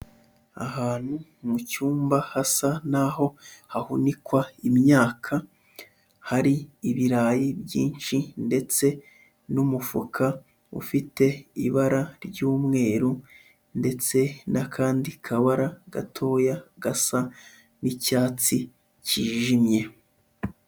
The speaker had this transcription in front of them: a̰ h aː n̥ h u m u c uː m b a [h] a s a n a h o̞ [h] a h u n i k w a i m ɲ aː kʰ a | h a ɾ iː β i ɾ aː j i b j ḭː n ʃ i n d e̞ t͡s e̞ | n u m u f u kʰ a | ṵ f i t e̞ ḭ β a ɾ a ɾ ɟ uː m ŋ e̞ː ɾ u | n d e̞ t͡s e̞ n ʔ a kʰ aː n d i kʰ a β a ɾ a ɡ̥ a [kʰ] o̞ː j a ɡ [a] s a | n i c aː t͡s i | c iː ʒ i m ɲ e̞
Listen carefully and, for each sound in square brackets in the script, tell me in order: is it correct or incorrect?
correct, correct, incorrect: tʰ, correct

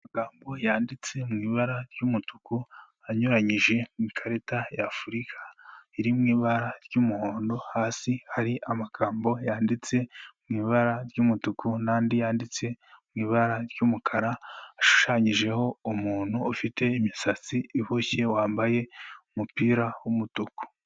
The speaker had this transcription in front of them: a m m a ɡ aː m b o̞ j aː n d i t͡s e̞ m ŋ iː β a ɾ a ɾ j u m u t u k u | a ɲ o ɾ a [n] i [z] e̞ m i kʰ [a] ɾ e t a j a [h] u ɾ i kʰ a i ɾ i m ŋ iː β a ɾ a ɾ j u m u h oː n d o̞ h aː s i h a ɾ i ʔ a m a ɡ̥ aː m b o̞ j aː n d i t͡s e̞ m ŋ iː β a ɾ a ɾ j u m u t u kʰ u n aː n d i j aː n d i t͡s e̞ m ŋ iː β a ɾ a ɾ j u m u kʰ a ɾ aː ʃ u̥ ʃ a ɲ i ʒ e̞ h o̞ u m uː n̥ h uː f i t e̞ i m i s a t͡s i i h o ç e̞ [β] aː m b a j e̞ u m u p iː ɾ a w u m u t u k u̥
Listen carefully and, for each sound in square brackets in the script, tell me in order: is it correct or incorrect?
incorrect: ɲ, incorrect: ʒ, correct, incorrect: f, incorrect: w

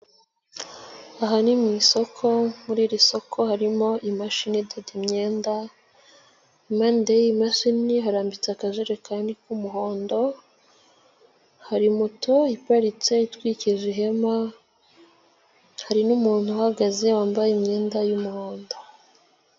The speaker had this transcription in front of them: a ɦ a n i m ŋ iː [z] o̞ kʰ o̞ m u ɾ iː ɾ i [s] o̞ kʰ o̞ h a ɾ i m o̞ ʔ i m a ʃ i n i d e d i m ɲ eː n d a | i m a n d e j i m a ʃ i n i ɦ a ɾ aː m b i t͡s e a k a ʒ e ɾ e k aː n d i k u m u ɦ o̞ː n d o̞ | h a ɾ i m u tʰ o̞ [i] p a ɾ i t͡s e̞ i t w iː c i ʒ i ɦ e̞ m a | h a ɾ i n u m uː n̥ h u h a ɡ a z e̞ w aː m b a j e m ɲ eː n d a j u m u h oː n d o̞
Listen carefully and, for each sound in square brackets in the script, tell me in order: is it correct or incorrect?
incorrect: s, correct, correct

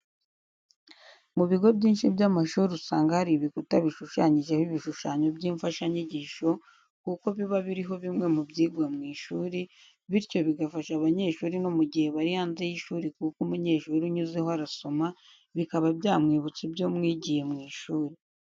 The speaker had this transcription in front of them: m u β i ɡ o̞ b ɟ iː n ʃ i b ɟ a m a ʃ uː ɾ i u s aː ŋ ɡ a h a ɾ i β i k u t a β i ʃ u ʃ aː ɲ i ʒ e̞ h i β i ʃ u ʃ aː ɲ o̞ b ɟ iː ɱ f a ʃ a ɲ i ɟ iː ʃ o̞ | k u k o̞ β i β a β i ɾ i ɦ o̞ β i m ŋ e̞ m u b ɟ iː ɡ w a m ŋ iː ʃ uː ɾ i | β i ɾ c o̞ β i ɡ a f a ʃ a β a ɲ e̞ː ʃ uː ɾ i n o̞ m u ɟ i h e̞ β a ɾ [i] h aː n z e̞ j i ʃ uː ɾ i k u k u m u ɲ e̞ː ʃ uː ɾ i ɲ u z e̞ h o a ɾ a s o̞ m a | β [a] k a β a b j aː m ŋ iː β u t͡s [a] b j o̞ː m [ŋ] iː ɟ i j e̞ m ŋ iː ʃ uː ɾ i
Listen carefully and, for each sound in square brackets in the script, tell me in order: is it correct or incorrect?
correct, incorrect: i, incorrect: i, correct

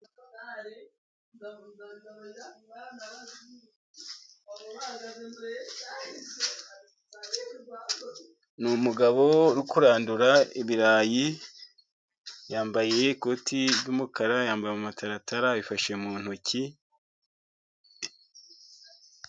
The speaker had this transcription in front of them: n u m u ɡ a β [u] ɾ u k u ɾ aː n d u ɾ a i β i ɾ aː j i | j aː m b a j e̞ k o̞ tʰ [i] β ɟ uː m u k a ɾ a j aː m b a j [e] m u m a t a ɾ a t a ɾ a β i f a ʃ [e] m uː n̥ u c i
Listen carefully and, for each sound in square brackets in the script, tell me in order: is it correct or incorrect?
incorrect: o, correct, correct, correct

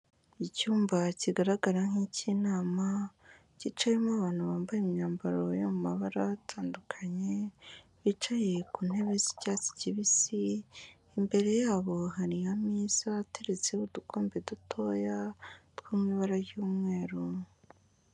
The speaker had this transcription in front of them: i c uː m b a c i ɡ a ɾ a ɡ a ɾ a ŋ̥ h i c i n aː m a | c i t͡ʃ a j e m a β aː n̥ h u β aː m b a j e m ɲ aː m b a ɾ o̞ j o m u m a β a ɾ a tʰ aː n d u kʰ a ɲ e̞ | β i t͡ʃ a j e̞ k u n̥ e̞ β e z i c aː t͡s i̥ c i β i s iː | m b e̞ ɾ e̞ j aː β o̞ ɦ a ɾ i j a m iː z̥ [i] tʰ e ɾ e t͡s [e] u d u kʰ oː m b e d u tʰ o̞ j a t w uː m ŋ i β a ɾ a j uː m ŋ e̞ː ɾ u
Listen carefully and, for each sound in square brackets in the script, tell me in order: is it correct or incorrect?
incorrect: a, correct

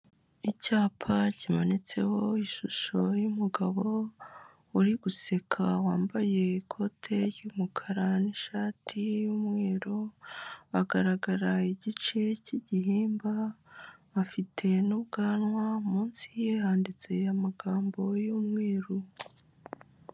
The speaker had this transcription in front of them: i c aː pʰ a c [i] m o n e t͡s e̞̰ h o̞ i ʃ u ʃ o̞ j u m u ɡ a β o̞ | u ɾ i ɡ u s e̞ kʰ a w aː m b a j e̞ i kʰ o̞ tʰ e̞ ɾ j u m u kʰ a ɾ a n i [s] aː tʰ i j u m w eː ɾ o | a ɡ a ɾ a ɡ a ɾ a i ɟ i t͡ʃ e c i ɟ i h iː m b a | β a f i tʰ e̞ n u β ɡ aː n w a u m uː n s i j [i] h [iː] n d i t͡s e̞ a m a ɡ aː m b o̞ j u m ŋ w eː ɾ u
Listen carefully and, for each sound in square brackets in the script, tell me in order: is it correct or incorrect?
correct, incorrect: ʃ, incorrect: e, incorrect: aː

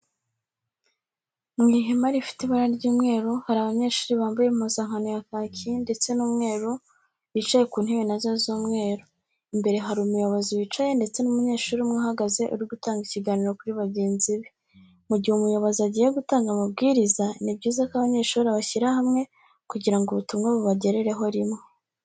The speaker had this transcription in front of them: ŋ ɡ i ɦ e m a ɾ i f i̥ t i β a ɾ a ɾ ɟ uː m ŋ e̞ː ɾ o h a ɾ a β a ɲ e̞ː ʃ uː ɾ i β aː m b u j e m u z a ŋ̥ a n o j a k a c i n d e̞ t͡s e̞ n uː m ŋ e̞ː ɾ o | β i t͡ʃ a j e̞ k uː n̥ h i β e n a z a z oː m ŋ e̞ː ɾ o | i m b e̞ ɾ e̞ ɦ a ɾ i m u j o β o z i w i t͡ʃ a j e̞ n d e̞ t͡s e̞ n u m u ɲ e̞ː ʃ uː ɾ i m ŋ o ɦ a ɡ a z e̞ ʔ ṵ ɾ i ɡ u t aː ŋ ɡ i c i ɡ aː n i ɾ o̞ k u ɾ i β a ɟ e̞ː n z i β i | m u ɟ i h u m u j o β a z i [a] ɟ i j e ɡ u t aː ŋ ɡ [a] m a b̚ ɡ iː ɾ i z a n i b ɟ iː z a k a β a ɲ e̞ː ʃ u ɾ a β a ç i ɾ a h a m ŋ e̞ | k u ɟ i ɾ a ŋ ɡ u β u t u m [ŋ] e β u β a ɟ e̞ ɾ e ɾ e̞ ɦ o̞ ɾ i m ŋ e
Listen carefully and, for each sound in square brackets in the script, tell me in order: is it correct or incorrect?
correct, correct, correct

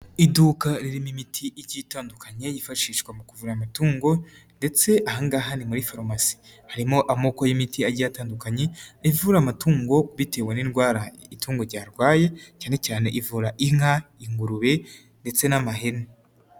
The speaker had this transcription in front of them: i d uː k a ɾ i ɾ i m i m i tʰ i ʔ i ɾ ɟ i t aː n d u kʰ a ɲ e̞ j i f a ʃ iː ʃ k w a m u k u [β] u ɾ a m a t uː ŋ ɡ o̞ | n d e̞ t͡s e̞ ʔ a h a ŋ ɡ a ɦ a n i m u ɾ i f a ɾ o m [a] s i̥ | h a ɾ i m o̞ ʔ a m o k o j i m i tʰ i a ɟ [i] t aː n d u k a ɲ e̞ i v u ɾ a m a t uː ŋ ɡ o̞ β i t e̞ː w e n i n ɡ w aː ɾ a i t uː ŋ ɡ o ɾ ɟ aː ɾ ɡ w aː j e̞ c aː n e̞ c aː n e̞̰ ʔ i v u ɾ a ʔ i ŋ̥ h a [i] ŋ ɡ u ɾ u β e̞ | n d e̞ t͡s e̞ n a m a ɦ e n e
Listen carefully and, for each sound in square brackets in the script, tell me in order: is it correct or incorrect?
incorrect: v, correct, incorrect: a, correct

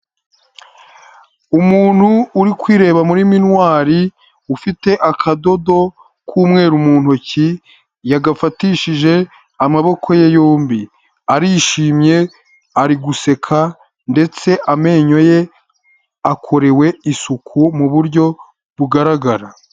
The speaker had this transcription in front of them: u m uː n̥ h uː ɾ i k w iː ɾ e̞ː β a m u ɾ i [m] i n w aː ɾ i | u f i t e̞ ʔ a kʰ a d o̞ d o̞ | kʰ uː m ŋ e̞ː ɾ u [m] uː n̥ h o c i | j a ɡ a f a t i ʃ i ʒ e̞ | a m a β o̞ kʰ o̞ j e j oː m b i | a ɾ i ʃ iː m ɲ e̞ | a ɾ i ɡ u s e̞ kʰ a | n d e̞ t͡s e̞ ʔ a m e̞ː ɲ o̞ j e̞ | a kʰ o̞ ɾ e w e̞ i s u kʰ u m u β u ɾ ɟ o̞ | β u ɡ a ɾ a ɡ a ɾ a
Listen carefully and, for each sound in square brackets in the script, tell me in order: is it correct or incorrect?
correct, correct

